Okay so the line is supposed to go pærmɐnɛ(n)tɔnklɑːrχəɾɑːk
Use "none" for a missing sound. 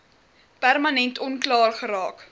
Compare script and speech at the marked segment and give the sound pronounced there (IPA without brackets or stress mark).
n